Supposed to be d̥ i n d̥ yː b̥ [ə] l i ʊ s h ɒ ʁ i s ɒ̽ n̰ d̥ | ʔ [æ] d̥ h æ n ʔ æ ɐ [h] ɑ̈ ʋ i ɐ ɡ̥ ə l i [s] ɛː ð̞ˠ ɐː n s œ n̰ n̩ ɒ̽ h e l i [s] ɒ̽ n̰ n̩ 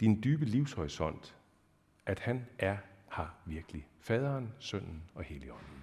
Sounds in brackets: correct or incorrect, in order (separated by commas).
correct, correct, correct, incorrect, incorrect